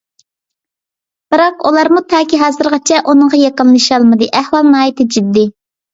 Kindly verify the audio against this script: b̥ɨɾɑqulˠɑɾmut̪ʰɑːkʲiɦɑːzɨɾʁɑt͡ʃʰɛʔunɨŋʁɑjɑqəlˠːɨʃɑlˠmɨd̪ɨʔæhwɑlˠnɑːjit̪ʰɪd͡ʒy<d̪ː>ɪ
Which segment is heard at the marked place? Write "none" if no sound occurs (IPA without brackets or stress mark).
d̪ː